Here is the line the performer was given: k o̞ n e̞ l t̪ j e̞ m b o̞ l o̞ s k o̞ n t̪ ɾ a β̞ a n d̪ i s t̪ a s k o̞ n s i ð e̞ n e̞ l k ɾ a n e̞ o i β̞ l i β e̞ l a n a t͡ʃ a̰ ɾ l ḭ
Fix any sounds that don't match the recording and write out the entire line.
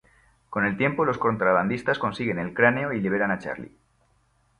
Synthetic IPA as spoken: k o̞ n e̞ l t̪ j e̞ m p o̞ l o̞ s k o̞ n t̪ ɾ a β̞ a n d̪ i s t̪ a s k o̞ n s i ɣ e̞ n e̞ l k ɾ a n e̞ o i l i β e̞ ɾ a n a t͡ʃ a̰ ɾ l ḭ